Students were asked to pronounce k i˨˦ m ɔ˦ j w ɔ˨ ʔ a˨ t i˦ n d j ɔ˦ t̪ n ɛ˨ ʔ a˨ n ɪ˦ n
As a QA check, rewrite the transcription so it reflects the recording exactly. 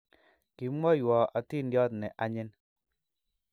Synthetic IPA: k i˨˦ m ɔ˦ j w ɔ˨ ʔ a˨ t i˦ n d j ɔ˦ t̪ n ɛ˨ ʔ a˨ ɲ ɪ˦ n